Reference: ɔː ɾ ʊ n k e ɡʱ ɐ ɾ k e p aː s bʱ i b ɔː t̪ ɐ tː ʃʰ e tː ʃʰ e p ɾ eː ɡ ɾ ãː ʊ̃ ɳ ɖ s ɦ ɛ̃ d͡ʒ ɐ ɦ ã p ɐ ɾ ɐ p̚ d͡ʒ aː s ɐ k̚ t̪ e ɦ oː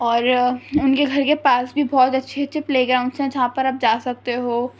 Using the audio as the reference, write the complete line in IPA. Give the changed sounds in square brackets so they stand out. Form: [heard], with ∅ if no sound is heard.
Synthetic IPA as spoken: ɔː ɾ ʊ n k e ɡʱ ɐ ɾ k e p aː s bʱ i b ɔː t̪ ɐ tː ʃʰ e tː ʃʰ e p [l] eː ɡ ɾ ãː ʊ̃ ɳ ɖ s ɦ ɛ̃ d͡ʒ ɐ ɦ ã p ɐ ɾ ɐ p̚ d͡ʒ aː s ɐ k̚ t̪ e ɦ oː